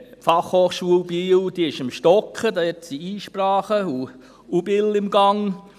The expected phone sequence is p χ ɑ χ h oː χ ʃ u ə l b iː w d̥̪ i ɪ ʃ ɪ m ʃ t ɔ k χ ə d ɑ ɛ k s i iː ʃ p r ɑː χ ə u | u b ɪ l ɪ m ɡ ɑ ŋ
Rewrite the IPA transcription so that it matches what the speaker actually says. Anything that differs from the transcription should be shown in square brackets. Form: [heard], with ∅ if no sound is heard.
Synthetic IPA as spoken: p [f] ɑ χ h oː χ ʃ u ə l b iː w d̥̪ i ɪ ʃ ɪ m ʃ t ɔ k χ ə d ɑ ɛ [t] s i iː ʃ p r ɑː χ ə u | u b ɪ l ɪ m ɡ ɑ ŋ